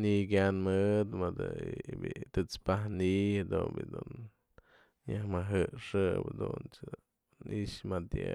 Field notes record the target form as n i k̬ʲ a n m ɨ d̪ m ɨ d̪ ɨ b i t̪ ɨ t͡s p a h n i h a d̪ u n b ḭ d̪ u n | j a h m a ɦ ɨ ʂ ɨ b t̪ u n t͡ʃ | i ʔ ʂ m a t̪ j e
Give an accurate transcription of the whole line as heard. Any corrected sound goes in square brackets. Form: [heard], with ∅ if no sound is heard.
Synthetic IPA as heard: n i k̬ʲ a n m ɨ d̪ m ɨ d̪ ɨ b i t̪ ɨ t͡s p a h n i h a d̪ u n b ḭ d̪ u n | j a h m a ɦ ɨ ʂ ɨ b [d̪] u n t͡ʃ | i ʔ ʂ m a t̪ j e